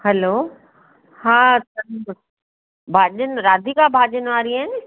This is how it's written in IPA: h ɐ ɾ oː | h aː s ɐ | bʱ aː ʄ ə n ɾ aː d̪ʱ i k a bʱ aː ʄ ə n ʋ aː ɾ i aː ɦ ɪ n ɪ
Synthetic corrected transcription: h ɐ l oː | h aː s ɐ | bʱ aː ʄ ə n ɾ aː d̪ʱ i k a bʱ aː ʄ ə n ʋ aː ɾ i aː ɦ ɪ n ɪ